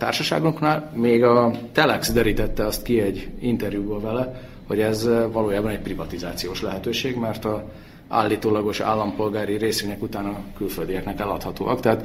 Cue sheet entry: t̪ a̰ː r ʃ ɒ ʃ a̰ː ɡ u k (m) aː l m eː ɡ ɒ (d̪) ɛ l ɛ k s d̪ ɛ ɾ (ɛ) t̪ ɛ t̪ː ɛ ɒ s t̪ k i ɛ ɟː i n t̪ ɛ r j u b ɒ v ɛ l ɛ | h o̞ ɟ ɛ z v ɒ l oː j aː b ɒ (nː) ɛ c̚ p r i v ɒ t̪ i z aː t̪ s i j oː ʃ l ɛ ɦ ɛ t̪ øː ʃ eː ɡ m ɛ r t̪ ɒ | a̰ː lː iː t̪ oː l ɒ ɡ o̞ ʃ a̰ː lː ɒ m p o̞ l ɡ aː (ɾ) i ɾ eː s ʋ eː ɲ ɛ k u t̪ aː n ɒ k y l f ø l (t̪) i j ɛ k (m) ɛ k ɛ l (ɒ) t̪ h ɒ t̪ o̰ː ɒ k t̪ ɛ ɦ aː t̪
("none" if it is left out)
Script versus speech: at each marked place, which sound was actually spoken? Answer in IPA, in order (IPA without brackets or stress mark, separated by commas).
n, t̪, i, n, ɾ, d̪, n, ɒ